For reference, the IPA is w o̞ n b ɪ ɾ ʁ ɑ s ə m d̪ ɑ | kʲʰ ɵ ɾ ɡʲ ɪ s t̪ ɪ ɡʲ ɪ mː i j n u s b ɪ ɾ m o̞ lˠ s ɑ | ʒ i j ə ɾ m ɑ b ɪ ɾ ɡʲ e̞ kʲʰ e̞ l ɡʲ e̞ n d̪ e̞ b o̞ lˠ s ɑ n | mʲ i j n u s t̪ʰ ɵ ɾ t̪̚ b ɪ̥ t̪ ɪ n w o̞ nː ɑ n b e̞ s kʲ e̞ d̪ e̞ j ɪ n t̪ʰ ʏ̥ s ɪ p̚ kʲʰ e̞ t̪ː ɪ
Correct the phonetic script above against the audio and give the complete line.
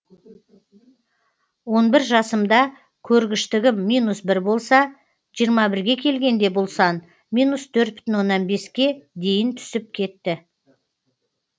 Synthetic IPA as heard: w o̞ n b ɪ ɾ ʒ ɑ s ə m d̪ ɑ | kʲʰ ɵ ɾ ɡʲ ɪ ʃ t̪ ɪ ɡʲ ɪ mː i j n u s b ɪ ɾ b o̞ lˠ s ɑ | ʒ i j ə ɾ m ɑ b ɪ ɾ ɡʲ e̞ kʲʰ e̞ l ɡʲ e̞ n d̪ e̞ b o̞ lˠ s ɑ n | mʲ i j n u s t̪ʰ ɵ ɾ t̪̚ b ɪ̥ t̪ ɪ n w o̞ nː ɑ n b e̞ s kʲ e̞ d̪ e̞ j ɪ n t̪ʰ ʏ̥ s ɪ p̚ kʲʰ e̞ t̪ː ɪ